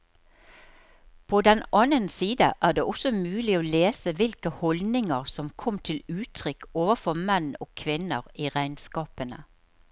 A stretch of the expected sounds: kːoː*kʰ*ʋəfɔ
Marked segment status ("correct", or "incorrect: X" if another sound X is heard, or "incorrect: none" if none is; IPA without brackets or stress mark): incorrect: none